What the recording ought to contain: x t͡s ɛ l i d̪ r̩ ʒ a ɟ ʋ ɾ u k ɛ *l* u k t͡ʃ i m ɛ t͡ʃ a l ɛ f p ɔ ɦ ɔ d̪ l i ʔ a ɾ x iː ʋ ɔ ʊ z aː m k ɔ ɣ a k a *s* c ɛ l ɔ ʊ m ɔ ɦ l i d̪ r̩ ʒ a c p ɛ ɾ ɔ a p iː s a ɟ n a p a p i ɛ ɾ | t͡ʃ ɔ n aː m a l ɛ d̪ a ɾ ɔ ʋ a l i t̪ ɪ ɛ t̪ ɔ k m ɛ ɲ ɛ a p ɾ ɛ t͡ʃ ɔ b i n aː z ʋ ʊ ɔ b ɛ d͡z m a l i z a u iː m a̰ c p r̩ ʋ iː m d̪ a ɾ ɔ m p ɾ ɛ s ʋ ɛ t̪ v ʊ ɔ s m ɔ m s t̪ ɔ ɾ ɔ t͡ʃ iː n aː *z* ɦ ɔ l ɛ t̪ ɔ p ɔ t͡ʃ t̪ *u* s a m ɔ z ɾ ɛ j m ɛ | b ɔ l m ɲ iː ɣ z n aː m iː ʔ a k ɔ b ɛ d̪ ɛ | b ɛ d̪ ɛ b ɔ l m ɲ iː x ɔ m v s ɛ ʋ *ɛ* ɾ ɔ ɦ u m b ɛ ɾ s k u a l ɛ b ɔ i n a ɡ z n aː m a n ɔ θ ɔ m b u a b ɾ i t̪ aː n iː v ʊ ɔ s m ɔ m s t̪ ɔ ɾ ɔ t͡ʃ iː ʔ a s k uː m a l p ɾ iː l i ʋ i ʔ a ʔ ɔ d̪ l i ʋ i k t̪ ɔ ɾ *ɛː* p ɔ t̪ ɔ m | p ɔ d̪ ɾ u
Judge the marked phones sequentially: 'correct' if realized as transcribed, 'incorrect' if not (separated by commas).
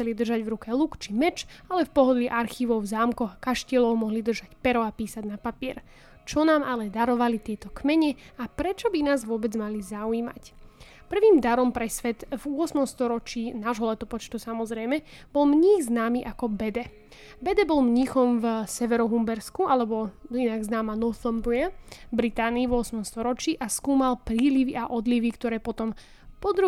correct, incorrect, incorrect, correct, correct, correct